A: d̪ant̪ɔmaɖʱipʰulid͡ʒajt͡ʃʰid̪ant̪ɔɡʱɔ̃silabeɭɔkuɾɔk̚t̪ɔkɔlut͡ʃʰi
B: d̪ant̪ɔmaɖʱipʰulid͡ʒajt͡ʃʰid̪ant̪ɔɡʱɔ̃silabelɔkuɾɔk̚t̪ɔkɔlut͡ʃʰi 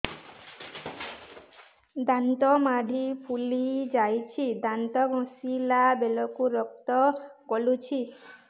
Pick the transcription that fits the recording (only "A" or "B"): B